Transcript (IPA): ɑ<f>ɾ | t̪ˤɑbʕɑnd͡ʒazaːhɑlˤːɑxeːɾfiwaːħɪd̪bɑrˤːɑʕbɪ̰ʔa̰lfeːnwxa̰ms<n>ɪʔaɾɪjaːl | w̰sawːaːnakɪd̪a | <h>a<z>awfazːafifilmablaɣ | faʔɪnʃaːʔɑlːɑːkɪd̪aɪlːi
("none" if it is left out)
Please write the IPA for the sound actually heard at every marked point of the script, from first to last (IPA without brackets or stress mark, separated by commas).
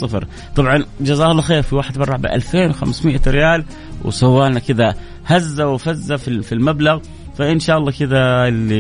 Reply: f, m, h, zː